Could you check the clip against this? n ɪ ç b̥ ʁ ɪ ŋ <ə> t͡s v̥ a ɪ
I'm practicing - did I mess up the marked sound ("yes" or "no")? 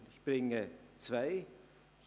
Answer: no